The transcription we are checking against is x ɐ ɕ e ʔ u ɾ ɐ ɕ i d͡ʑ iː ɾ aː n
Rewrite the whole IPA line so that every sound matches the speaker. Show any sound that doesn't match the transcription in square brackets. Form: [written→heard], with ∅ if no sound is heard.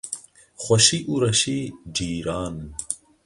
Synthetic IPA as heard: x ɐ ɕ [e→i] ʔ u ɾ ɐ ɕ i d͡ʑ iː ɾ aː n

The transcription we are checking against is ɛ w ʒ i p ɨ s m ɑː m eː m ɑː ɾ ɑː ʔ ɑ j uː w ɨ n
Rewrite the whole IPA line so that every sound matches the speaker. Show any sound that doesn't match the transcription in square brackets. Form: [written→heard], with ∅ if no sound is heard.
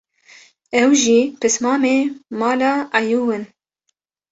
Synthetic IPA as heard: ɛ w ʒ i p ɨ s m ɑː m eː m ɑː [ɾ→l] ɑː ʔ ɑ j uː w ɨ n

